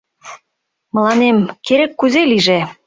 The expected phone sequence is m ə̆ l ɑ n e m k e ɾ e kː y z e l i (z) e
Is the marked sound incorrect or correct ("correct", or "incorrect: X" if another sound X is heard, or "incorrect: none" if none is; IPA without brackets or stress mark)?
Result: incorrect: ʒ